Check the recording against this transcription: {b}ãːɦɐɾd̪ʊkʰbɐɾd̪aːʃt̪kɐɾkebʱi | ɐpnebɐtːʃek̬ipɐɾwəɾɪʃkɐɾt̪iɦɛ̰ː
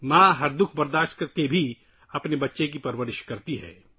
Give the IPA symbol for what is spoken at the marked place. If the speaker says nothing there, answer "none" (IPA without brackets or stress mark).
m